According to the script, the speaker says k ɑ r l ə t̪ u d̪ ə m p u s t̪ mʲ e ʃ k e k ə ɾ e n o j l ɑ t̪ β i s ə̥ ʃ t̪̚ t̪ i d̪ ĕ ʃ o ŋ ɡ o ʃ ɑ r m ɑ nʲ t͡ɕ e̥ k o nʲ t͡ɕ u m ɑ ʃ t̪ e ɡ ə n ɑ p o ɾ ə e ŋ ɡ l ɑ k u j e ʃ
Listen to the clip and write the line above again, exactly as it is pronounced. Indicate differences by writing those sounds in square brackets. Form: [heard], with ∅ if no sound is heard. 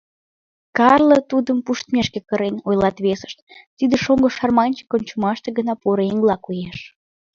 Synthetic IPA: k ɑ r l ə t̪ u d̪ ə m p u [ʃ] t̪ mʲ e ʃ k e k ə ɾ e n o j l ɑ t̪ β [e] s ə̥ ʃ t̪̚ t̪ i d̪ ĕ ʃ o ŋ ɡ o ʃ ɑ r m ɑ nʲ t͡ɕ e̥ k o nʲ t͡ɕ u m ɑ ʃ t̪ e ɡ ə n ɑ p o ɾ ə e ŋ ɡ l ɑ k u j e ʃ